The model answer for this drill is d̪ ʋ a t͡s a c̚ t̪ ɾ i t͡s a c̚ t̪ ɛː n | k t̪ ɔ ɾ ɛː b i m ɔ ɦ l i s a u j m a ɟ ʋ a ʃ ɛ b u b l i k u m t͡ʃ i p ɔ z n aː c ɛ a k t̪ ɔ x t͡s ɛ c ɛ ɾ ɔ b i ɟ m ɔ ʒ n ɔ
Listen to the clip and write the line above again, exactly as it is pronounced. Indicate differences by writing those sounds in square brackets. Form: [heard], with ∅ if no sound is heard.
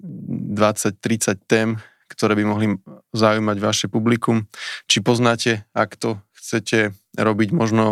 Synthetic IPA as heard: d̪ ʋ a t͡s a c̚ t̪ ɾ i t͡s a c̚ t̪ ɛː [m] | k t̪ ɔ ɾ ɛː b i m ɔ ɦ l i [z] a u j m a ɟ ʋ a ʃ ɛ [p] u b l i k u m t͡ʃ i p ɔ z n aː c ɛ a k t̪ ɔ x t͡s ɛ c ɛ ɾ ɔ b i ɟ m ɔ ʒ n ɔ